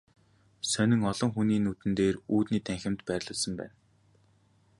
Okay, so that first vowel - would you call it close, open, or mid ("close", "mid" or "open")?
mid